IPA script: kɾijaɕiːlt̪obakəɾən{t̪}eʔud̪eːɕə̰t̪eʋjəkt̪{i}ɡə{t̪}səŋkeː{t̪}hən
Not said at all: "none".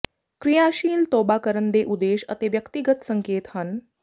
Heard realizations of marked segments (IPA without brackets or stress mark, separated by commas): d̪, i, t̪, t̪